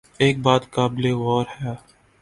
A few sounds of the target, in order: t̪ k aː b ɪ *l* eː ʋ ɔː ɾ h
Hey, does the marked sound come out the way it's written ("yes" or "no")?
yes